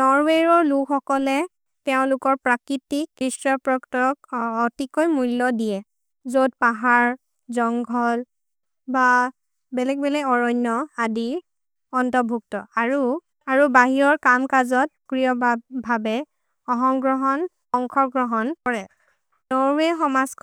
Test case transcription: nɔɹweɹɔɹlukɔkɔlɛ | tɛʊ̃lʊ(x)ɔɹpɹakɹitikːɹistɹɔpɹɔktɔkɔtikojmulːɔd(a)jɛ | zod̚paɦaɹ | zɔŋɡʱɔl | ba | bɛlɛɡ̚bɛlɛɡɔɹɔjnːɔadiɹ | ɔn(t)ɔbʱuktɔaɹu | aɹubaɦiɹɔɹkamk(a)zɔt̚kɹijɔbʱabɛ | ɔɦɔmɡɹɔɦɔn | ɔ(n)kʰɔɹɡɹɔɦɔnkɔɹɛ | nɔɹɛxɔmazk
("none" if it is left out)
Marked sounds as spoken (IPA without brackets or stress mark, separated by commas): k, i, t, a, ŋ